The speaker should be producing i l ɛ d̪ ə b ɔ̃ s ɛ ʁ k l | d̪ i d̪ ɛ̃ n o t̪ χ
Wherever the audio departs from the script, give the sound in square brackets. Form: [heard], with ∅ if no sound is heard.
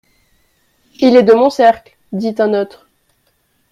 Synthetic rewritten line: i l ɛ d̪ ə [m] ɔ̃ s ɛ ʁ k l | d̪ i [t̪] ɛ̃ n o t̪ χ